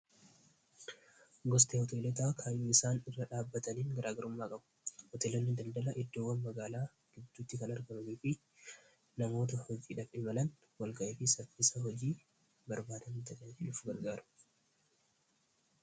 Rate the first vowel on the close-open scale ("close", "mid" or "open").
mid